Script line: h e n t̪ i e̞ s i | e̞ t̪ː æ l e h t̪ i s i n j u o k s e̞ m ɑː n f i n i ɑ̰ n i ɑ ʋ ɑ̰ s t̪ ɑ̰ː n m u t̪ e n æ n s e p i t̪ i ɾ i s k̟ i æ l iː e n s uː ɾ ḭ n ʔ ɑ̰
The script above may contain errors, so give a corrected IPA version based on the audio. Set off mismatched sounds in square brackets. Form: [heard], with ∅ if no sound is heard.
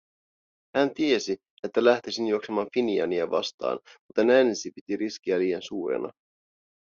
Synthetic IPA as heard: h [æ] n t̪ i e̞ s i | e̞ t̪ː æ l [æ] h t̪ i s i n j u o k s e̞ m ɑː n f i n i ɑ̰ n i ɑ ʋ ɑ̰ s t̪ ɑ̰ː n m u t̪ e n æ n s [i] p i t̪ i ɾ i s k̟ i æ l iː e n s uː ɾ [ḛ] n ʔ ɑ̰

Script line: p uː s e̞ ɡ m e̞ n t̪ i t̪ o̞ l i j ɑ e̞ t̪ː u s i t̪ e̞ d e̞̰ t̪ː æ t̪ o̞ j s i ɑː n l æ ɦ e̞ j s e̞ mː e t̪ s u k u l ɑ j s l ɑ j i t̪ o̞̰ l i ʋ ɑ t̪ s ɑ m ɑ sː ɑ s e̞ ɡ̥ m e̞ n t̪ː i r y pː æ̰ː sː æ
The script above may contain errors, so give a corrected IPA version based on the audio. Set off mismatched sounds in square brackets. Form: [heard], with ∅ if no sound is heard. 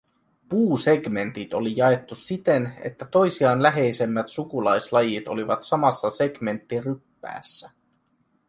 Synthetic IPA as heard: p uː s e̞ ɡ m e̞ n t̪ i t̪ o̞ l i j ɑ e̞ t̪ː u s i t̪ e̞ [n] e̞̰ t̪ː æ t̪ o̞ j s i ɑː n l æ ɦ e̞ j s e̞ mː [æ] t̪ s u k u l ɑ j s l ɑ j i t̪ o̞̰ l i ʋ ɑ t̪ s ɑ m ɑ sː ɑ s e̞ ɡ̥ m e̞ n t̪ː i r y pː æ̰ː sː æ

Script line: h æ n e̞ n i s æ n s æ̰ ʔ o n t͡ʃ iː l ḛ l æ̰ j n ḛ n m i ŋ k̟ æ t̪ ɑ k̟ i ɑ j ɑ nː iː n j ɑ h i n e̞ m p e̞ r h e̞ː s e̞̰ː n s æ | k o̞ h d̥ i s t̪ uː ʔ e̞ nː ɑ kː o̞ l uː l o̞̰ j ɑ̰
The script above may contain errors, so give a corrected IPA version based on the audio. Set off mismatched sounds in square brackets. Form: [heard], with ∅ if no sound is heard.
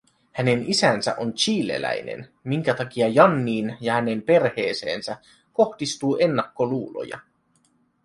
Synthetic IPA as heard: h æ n e̞ n i s æ n s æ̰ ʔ o n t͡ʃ iː l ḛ l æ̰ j n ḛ n m i ŋ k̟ æ t̪ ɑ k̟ i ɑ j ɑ nː iː n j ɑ h [æ] n e̞ m p e̞ r h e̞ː s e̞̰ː n s æ | k o̞ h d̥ i s t̪ uː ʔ e̞ nː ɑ kː o̞ l uː l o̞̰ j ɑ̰

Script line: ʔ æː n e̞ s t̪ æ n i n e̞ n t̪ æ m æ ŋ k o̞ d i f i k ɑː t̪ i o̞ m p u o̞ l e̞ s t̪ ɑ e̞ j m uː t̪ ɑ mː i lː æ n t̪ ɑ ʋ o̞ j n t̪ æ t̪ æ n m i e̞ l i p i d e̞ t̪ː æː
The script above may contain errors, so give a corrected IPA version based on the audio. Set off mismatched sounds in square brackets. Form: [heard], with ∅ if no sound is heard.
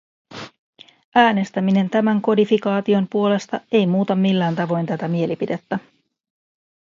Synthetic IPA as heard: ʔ æː n e̞ s t̪ æ [m] i n e̞ n t̪ æ m æ ŋ k o̞ d i f i k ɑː t̪ i o̞ m p u o̞ l e̞ s t̪ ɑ e̞ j m uː t̪ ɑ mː i lː [æː] n t̪ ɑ ʋ o̞ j n t̪ æ t̪ æ [∅] m i e̞ l i p i d e̞ t̪ː [æ]

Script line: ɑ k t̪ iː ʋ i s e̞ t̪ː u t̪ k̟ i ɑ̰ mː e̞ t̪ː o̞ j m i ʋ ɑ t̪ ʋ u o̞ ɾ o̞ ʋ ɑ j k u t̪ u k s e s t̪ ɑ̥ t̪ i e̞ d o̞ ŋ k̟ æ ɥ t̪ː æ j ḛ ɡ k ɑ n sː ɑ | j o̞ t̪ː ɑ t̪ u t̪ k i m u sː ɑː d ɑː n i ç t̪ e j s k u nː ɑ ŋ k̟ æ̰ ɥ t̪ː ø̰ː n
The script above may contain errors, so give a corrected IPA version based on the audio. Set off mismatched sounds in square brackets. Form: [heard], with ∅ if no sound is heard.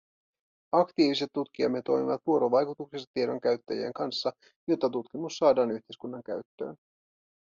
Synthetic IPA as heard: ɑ k t̪ iː ʋ i s e̞ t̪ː u t̪ k̟ i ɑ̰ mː e̞ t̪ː o̞ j m i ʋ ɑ t̪ ʋ u o̞ ɾ o̞ ʋ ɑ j k u t̪ u k s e s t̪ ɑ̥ t̪ i e̞ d o̞ ŋ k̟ æ ɥ t̪ː æ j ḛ [ŋ] k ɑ n sː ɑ | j o̞ t̪ː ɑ t̪ u t̪ k i m u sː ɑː d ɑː n [y] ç t̪ e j s k u nː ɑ ŋ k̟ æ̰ ɥ t̪ː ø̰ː n

